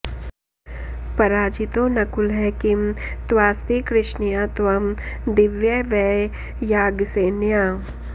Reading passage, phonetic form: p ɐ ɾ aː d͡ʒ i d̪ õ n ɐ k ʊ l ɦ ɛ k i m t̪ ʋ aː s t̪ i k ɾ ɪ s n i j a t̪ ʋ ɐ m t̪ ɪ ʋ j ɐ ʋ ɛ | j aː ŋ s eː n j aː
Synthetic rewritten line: p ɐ ɾ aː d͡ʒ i t̪ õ n ɐ k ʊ l ɦ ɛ k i m t̪ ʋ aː s t̪ i k ɾ ɪ ʃ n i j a t̪ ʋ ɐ m d̪ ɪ ʋ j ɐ ʋ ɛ | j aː ɡ s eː n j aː